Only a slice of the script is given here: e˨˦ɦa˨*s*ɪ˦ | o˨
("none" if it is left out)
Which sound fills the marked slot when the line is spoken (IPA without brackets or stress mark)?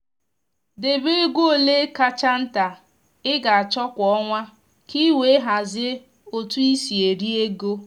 z